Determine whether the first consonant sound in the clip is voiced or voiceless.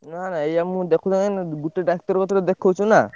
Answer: voiced